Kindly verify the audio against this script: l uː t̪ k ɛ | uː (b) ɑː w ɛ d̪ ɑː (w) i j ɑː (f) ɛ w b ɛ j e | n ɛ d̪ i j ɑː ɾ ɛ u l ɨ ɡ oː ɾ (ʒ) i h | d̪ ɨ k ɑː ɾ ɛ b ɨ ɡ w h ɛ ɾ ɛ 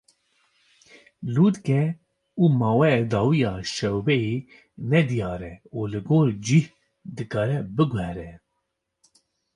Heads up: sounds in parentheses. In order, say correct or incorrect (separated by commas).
incorrect, correct, incorrect, incorrect